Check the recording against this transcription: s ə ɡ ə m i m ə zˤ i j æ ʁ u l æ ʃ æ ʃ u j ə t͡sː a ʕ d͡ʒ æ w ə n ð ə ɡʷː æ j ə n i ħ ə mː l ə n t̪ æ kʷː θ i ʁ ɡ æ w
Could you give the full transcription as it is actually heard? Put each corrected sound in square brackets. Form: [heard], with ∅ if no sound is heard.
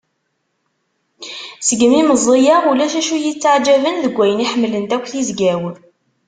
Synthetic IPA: s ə ɡ ə m i m ə zˤ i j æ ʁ u l æ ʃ æ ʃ u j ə t͡sː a ʕ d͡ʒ æ [v] ə n ð ə ɡʷː æ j ə n i ħ ə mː l ə n t̪ æ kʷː θ i [z] ɡ æ w